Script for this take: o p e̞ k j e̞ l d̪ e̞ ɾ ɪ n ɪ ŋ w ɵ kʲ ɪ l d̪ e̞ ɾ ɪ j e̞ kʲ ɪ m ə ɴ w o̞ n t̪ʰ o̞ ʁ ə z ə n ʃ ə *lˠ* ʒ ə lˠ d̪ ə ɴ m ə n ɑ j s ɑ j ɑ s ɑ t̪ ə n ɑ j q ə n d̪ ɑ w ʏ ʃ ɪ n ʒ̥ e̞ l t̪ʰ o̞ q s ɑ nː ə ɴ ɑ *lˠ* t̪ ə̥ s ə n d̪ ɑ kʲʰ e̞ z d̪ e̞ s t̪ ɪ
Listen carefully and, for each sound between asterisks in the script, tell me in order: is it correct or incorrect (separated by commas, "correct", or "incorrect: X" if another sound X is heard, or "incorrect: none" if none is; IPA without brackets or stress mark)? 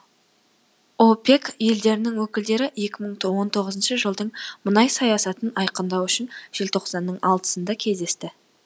incorrect: none, correct